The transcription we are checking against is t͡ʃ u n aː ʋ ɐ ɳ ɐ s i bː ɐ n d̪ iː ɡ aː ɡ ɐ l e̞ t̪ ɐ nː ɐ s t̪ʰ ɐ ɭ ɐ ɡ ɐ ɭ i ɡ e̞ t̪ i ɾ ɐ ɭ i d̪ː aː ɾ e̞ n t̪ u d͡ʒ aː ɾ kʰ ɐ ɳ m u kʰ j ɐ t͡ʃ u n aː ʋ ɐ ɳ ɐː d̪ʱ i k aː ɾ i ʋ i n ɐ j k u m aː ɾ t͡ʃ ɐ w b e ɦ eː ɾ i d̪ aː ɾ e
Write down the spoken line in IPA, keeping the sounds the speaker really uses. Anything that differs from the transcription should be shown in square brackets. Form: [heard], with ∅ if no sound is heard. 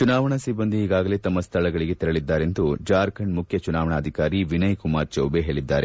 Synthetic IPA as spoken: t͡ʃ u n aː ʋ ɐ ɳ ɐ s i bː ɐ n d̪ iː ɡ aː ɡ ɐ l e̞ t̪ ɐ [mː] ɐ s t̪ʰ ɐ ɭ ɐ ɡ ɐ ɭ i ɡ e̞ t̪ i ɾ ɐ ɭ i d̪ː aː ɾ e̞ n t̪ u d͡ʒ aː ɾ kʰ ɐ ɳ m u kʰ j ɐ t͡ʃ u n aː ʋ ɐ ɳ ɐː d̪ʱ i k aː ɾ i ʋ i n ɐ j k u m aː ɾ t͡ʃ ɐ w b e ɦ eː [ɭ] i [d̪ː] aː ɾ e